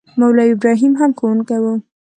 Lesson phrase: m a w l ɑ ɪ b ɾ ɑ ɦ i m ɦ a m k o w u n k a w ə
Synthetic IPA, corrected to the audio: m a w l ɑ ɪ b ɾ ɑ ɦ i m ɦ a m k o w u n k a w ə